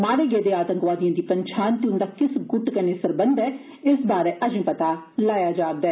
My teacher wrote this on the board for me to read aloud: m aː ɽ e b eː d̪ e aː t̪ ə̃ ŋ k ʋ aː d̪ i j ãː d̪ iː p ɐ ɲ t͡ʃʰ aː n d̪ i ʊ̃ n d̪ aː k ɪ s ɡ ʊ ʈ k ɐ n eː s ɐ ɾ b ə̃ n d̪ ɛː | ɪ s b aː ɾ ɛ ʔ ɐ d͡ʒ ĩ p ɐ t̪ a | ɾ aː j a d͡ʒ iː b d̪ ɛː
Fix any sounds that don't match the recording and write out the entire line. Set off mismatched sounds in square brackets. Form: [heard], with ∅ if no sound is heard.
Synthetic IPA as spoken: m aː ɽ e [ɡ] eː d̪ e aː t̪ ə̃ ŋ k ʋ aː d̪ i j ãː d̪ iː p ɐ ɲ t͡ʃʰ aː n [t̪] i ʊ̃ n d̪ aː k ɪ s ɡ ʊ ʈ k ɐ n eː s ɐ ɾ b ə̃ n d̪ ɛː | ɪ s b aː ɾ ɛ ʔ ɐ d͡ʒ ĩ p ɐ t̪ a | [l] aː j a d͡ʒ [aː] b d̪ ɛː